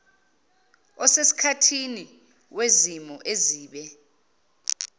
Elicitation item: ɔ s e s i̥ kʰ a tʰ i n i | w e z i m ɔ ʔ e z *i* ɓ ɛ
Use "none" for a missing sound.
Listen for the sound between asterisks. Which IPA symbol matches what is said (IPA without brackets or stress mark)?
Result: iː